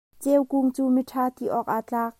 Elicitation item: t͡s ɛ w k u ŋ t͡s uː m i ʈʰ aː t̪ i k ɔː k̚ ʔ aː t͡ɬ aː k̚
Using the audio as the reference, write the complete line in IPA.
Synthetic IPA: t͡s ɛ w k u ŋ t͡s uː m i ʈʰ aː t̪ i ʔ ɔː k̚ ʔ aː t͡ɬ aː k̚